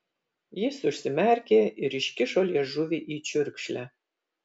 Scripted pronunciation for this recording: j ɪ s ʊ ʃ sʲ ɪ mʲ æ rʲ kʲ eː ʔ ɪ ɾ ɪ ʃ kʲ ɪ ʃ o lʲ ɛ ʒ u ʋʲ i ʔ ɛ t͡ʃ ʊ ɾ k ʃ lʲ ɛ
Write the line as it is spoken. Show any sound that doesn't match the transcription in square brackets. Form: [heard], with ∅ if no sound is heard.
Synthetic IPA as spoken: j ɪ s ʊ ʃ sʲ ɪ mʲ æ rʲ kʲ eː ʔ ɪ ɾ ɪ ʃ kʲ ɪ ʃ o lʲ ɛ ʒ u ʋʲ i ʔ [i] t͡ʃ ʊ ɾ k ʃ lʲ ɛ

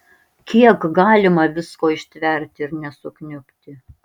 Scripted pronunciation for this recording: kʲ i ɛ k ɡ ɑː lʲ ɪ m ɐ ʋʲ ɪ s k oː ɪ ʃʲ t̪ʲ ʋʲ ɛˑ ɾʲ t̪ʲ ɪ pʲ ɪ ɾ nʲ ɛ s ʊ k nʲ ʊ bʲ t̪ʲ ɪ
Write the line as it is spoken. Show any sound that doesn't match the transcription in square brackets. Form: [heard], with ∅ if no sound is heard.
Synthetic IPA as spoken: kʲ i ɛ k ɡ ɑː lʲ ɪ m ɐ ʋʲ ɪ s k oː ɪ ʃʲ t̪ʲ ʋʲ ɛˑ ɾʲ t̪ʲ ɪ [∅] ɪ ɾ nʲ ɛ s ʊ k nʲ ʊ [pʲ] t̪ʲ ɪ

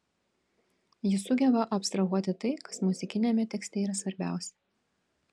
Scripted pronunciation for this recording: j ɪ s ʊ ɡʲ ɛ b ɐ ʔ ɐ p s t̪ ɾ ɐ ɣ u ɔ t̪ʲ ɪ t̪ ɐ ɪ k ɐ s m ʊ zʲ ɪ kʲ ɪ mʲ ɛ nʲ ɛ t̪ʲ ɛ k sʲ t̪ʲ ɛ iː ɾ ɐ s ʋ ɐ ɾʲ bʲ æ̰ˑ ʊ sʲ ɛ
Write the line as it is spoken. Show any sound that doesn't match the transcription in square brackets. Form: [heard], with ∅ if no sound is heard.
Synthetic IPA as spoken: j ɪ s ʊ ɡʲ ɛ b ɐ ʔ ɐ p s t̪ ɾ ɐ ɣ u ɔ t̪ʲ ɪ t̪ ɐ ɪ k ɐ s m ʊ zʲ ɪ kʲ ɪ [nʲ] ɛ [mʲ] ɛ t̪ʲ ɛ k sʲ t̪ʲ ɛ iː ɾ ɐ s ʋ ɐ ɾʲ bʲ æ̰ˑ ʊ sʲ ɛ

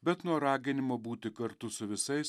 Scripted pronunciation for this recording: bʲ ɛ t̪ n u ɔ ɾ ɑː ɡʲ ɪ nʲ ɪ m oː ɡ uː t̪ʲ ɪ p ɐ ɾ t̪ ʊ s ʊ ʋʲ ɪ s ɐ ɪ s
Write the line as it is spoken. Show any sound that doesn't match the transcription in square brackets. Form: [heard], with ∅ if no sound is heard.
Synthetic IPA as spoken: bʲ ɛ t̪ n u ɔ ɾ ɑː ɡʲ ɪ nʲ ɪ m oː [b] uː t̪ʲ ɪ [k] ɐ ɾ t̪ ʊ s ʊ ʋʲ ɪ s ɐ ɪ s

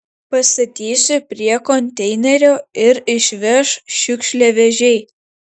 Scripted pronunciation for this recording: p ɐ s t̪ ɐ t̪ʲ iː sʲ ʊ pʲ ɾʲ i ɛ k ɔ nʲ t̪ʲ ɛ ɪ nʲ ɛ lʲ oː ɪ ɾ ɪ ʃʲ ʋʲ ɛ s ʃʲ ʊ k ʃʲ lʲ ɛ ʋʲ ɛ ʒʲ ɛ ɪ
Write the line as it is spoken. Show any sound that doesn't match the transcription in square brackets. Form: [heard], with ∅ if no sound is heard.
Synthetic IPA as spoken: p ɐ s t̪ ɐ t̪ʲ iː sʲ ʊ pʲ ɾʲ i ɛ k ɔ nʲ t̪ʲ ɛ ɪ nʲ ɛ [ɾʲ] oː ɪ ɾ ɪ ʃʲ ʋʲ ɛ [ʃ] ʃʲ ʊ k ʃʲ lʲ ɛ ʋʲ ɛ ʒʲ ɛ ɪ

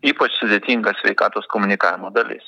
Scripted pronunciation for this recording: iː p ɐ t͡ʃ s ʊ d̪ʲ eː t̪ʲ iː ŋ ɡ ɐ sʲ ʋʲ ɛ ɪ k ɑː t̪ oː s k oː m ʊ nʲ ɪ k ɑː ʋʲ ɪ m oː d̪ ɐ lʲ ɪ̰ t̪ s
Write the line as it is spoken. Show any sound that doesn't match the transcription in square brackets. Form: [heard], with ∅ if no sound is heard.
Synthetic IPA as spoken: iː p ɐ t͡ʃ s ʊ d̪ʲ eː t̪ʲ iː ŋ ɡ ɐ sʲ ʋʲ ɛ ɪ k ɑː t̪ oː s k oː m ʊ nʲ ɪ k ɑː ʋʲ ɪ m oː d̪ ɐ lʲ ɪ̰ [∅] s

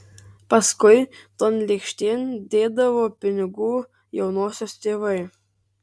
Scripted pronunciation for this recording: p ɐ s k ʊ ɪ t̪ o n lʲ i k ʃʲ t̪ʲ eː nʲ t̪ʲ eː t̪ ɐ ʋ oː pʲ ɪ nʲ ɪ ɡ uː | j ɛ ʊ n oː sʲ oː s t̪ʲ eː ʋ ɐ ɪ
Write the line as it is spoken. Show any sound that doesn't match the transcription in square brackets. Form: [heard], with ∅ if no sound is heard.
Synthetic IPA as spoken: p ɐ s k ʊ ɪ t̪ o n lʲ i k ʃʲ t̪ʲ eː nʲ [d̪ʲ] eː [d̪] ɐ ʋ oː pʲ ɪ nʲ ɪ ɡ uː | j ɛ ʊ n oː sʲ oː s t̪ʲ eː ʋ ɐ ɪ

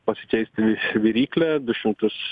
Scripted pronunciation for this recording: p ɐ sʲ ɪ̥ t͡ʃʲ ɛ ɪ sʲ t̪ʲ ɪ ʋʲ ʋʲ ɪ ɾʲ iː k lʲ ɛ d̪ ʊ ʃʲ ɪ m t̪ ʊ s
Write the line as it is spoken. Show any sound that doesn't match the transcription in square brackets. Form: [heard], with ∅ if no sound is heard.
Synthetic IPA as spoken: p ɐ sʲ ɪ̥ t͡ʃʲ ɛ ɪ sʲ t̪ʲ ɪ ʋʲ ʋʲ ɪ ɾʲ iː k lʲ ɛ d̪ ʊ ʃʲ ɪ m t̪ ʊ s

